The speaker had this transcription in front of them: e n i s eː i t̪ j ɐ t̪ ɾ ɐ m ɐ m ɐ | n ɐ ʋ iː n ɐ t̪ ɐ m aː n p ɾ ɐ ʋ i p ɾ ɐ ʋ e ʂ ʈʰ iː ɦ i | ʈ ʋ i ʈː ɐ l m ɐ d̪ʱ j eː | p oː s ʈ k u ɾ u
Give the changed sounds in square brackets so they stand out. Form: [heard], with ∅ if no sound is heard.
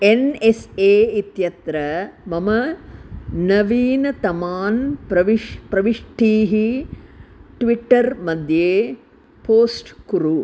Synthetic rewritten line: e n [e] s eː i t̪ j ɐ t̪ ɾ ɐ m ɐ m ɐ | n ɐ ʋ iː n ɐ t̪ ɐ m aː n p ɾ ɐ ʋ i p ɾ ɐ ʋ [i] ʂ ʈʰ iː ɦ i | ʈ ʋ i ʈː ɐ [ɾ] m ɐ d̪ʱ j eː | p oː s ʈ k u ɾ u